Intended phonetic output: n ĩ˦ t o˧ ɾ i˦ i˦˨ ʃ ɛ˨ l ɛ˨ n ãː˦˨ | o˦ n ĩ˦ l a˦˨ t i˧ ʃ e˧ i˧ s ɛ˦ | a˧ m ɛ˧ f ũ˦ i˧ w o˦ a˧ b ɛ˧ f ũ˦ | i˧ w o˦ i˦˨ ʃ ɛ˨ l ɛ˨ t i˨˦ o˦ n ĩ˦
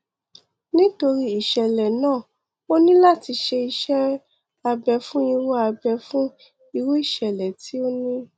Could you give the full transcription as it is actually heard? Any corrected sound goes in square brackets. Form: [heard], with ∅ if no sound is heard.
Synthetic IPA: n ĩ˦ t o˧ ɾ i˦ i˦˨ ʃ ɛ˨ l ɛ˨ n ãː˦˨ | o˦ n ĩ˦ l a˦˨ t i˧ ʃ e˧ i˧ [ʃ] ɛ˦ | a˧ [b] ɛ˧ f ũ˦ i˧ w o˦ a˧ b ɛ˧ f ũ˦ | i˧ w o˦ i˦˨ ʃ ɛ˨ l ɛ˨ t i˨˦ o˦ n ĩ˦